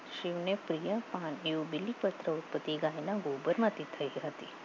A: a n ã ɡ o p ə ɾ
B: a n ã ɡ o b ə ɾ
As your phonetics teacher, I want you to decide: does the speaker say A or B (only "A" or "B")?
B